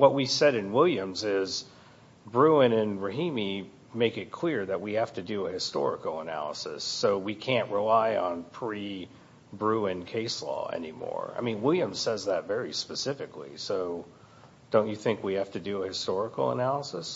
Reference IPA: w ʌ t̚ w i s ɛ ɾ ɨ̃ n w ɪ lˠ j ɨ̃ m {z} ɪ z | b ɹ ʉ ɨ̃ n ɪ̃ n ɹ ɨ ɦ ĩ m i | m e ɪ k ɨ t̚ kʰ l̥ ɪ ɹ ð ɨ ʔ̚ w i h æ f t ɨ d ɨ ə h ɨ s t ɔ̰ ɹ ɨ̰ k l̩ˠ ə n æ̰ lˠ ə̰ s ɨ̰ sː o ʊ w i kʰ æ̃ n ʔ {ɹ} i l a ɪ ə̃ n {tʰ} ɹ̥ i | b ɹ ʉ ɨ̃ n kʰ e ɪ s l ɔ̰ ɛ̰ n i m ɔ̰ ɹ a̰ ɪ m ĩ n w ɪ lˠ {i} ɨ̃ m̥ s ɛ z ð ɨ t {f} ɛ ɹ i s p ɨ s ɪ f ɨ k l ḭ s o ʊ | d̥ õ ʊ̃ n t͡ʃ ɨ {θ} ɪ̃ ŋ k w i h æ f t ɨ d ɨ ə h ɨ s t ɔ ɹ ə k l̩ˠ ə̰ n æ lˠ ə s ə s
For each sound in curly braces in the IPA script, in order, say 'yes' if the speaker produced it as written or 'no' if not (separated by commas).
yes, yes, no, no, no, yes